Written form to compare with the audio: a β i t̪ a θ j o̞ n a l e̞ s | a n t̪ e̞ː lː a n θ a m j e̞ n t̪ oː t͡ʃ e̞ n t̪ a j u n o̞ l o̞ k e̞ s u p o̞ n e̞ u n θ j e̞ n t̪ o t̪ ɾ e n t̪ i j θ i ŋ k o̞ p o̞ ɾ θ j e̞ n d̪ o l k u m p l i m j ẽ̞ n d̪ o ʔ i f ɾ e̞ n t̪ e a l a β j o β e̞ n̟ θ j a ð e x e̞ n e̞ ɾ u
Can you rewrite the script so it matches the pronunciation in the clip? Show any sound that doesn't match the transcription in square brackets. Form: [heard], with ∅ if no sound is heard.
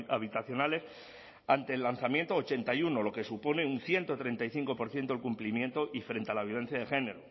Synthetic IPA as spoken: a β i t̪ a θ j o̞ n a l e̞ s | a n t̪ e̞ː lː a n θ a m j e̞ n t̪ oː t͡ʃ e̞ n t̪ a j u n o̞ l o̞ k e̞ s u p o̞ n e̞ u n θ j e̞ n t̪ o t̪ ɾ e n t̪ [a] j θ i ŋ k o̞ p o̞ ɾ θ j e̞ n [t̪] o l k u m p l i m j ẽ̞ n [t̪] o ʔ i f ɾ e̞ n t̪ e a l a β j o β e̞ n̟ θ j a ð e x e̞ n e̞ ɾ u